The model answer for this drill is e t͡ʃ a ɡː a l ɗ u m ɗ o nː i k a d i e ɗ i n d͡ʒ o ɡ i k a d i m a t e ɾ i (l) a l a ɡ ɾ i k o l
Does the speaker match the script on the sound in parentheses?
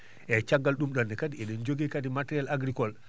no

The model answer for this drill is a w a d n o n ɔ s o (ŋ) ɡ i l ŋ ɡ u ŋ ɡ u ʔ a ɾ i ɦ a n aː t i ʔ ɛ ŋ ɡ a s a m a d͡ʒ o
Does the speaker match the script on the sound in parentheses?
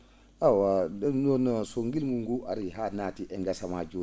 yes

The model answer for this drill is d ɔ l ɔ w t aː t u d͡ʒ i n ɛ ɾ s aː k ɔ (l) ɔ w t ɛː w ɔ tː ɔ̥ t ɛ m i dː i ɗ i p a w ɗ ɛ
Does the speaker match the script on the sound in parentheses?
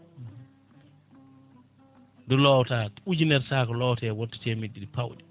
yes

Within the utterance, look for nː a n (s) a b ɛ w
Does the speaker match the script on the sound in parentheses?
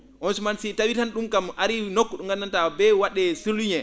no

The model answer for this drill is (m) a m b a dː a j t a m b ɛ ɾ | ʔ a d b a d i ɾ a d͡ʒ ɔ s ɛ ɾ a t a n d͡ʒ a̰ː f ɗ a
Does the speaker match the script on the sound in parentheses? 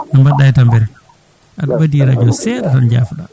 no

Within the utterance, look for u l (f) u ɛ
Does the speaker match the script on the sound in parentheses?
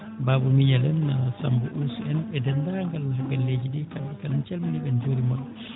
no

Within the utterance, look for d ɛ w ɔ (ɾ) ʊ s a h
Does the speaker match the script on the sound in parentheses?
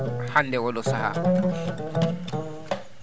no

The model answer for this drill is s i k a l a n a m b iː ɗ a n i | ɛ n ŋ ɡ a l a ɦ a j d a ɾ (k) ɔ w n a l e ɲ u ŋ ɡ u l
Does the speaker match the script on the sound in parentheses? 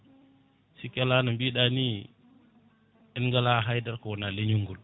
yes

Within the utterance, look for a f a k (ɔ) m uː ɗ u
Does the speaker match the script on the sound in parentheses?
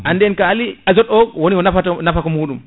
yes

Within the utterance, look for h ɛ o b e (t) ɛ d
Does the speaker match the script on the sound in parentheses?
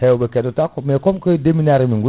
no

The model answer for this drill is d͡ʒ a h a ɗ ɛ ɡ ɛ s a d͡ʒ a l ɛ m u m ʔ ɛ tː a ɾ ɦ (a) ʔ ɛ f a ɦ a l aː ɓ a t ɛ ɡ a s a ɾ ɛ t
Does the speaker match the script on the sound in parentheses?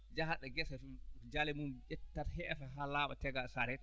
no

